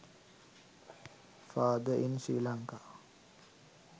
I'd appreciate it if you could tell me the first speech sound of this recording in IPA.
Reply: f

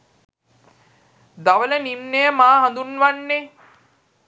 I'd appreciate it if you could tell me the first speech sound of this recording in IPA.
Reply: d̪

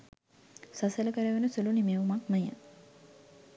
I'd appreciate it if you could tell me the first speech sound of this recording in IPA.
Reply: s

